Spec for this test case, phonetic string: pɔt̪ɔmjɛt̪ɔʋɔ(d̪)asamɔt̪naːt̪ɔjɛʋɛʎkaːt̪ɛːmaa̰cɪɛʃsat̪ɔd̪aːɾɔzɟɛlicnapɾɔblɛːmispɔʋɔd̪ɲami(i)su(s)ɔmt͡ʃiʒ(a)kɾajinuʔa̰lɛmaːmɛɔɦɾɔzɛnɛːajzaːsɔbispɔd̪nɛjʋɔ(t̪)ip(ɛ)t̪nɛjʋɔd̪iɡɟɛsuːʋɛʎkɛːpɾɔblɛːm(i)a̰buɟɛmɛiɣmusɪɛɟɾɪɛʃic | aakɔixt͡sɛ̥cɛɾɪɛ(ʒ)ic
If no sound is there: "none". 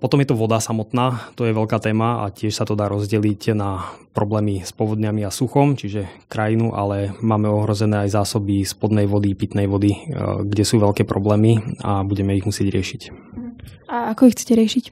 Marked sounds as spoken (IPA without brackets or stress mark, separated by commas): d̪, a, x, ɛ, d̪, i, i, ʃ